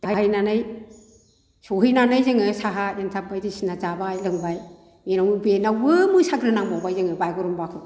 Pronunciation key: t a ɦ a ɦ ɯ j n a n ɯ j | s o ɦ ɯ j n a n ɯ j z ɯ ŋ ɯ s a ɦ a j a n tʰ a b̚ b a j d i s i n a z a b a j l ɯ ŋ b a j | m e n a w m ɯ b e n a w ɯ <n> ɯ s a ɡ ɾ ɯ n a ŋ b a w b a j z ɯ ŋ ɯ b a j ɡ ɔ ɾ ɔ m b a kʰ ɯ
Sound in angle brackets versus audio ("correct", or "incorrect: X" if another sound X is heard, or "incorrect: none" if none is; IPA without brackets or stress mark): incorrect: m